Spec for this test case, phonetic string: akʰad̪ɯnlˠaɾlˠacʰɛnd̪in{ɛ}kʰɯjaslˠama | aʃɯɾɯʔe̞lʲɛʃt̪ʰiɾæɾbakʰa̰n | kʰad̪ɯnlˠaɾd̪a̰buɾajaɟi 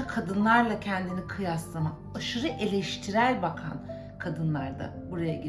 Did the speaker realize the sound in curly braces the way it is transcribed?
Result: no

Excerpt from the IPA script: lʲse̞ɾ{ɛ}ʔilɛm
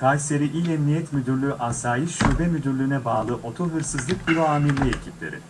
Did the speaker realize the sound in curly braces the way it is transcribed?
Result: no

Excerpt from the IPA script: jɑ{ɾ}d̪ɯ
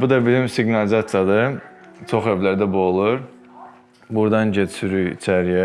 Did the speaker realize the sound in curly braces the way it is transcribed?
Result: no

